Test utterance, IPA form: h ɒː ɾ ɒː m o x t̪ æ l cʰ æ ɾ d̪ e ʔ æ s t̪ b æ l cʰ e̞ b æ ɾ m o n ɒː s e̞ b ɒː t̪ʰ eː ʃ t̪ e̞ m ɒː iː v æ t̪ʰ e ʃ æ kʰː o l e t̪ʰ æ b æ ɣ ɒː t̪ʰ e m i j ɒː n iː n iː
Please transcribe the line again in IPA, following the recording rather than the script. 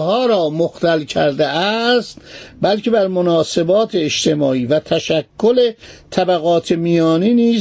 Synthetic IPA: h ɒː ɾ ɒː m o x t̪ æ l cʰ æ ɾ d̪ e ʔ æ s t̪ b æ l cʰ e̞ b æ ɾ m o n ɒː s e̞ b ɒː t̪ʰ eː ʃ t̪ e̞ m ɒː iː v æ t̪ʰ æ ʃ æ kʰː o l e t̪ʰ æ b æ ɣ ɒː t̪ʰ e m i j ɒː n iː n iː